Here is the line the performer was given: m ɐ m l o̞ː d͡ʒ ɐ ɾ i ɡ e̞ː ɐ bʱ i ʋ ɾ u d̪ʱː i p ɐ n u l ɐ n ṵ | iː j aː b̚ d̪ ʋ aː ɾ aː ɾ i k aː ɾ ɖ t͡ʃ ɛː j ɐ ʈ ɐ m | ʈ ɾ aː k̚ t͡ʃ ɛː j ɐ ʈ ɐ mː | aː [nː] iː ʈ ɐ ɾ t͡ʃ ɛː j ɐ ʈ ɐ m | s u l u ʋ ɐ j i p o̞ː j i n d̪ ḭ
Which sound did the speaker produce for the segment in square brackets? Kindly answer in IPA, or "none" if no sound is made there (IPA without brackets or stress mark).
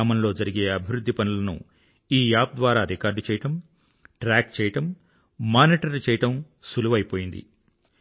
n